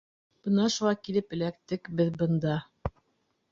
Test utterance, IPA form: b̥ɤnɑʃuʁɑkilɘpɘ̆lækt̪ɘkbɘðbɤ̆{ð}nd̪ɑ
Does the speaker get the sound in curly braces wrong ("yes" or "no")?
yes